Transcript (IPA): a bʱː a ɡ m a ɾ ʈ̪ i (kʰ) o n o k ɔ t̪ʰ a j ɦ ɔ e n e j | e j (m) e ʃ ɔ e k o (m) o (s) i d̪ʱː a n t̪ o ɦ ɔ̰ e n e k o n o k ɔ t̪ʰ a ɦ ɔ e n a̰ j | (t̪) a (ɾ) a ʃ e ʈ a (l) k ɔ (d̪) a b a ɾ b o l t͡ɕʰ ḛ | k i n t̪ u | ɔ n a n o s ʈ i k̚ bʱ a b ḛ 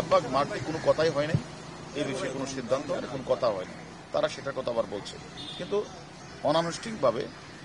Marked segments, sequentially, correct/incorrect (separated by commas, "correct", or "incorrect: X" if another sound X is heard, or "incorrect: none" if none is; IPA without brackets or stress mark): incorrect: k, incorrect: b, incorrect: n, incorrect: ʃ, correct, correct, incorrect: none, incorrect: t̪